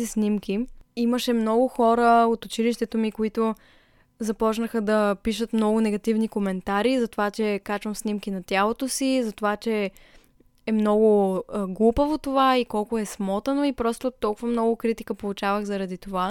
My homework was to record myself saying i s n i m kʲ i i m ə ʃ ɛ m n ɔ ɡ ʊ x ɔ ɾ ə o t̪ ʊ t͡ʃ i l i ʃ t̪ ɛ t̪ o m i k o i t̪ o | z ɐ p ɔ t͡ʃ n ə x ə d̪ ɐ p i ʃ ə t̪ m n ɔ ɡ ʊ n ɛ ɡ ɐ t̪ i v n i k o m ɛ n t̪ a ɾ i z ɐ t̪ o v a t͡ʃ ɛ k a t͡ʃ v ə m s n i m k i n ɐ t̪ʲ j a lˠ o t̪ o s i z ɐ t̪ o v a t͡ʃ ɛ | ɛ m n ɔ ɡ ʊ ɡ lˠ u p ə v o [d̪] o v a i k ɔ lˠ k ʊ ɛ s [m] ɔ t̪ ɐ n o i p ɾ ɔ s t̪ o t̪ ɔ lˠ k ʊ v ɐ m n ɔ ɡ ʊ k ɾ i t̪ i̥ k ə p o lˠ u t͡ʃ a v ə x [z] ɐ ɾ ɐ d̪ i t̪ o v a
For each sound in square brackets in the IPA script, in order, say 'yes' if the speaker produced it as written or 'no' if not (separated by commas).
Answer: no, yes, yes